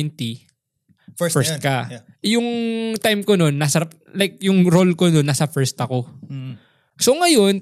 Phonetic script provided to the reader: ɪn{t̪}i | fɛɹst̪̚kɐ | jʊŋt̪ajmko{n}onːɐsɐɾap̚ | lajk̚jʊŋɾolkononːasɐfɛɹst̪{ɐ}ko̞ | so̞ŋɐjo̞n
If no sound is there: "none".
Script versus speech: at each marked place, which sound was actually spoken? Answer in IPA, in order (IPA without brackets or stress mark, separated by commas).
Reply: t̪, n, ɐ